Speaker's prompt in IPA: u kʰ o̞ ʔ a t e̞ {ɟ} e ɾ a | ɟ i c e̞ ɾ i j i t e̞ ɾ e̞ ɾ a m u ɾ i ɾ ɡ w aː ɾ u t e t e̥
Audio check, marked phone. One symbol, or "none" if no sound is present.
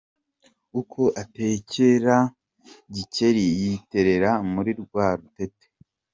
c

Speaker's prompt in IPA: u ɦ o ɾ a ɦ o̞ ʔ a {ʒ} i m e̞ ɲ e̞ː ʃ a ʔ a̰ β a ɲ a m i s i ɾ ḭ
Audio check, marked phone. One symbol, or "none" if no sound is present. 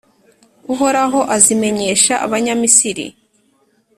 z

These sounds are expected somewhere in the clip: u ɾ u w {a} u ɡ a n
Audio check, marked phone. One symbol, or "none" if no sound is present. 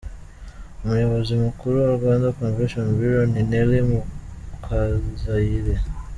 a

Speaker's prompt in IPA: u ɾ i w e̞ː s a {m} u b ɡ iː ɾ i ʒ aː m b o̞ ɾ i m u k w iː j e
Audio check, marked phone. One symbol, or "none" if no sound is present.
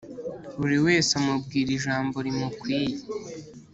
m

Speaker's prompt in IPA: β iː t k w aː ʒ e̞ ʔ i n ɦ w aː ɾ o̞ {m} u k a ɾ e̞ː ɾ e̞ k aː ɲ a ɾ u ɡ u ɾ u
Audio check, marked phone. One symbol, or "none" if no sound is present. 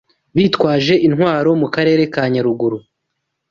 m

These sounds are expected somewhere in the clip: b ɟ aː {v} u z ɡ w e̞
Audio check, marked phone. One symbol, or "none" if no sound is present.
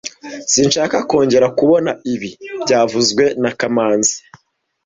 v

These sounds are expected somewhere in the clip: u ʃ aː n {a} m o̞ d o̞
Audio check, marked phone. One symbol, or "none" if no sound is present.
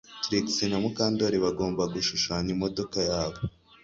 i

